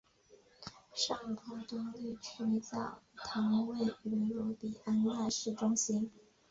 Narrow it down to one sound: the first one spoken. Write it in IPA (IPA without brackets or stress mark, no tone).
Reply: ʂ